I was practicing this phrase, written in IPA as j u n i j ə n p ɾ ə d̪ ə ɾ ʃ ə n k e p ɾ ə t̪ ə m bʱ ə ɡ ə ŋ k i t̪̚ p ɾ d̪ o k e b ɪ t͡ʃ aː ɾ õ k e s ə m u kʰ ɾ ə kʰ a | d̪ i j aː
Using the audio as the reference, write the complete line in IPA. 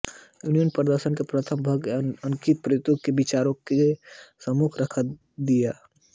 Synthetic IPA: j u n i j ə n p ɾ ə d̪ ə ɾ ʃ ə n k e p ɾ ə t̪ʰ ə m bʱ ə ɡ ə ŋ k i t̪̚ p ɾ t̪ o k e b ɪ t͡ʃ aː ɾ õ k e s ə m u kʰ ɾ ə kʰ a | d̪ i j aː

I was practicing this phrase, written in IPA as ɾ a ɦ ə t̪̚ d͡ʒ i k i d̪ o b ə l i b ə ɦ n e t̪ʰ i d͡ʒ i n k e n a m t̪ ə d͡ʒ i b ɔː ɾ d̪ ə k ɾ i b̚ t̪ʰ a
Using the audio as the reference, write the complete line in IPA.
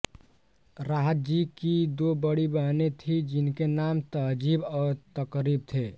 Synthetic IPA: ɾ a ɦ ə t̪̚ d͡ʒ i k i d̪ o b ə ɽ i b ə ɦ n e t̪ʰ i d͡ʒ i n k e n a m t̪ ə d͡ʒ i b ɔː ɾ t̪ ə k ɾ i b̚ t̪ʰ e

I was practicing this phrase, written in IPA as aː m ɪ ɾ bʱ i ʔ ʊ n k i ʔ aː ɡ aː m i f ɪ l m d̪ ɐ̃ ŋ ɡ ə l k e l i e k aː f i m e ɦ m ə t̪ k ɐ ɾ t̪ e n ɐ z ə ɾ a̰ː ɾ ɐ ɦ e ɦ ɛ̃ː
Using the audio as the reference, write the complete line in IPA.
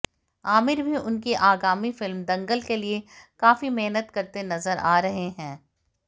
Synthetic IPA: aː m ɪ ɾ bʱ i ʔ ʊ n k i ʔ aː ɡ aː m i f ɪ l m d̪ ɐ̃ ŋ ɡ ə l k e l i e k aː f i m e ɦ n ə t̪ k ɐ ɾ t̪ e n ɐ z ə ɾ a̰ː ɾ ɐ ɦ e ɦ ɛ̃ː

